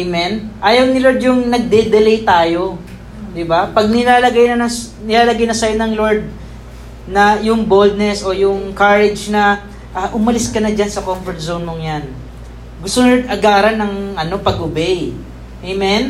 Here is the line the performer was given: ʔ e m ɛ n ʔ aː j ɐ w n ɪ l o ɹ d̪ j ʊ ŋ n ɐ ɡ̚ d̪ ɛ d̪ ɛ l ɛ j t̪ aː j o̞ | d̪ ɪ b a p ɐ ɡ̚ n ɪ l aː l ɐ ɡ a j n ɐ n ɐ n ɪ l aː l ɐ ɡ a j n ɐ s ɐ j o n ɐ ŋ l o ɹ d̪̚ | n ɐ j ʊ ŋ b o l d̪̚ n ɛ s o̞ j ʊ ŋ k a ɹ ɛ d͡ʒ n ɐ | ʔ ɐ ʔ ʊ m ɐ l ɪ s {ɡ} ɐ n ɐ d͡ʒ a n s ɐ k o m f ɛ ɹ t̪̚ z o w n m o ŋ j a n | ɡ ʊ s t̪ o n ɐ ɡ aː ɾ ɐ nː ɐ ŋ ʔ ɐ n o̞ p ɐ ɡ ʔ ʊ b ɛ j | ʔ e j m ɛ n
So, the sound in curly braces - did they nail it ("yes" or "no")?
no